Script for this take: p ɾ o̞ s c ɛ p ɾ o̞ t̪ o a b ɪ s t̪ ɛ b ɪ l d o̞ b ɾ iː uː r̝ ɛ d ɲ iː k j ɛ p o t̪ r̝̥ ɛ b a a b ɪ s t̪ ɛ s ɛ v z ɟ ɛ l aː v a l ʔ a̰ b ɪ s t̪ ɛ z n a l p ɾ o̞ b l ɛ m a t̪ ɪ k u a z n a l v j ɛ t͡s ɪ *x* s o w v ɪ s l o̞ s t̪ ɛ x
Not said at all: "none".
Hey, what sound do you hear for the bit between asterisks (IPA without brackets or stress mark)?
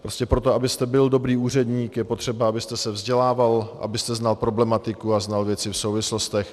f